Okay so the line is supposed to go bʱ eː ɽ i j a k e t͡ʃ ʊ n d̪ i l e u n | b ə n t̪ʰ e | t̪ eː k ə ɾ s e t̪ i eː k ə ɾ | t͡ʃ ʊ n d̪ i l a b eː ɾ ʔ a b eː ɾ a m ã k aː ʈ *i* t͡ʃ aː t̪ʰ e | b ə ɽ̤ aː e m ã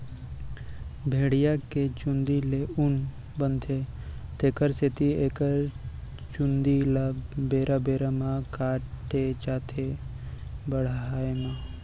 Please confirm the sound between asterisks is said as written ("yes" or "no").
no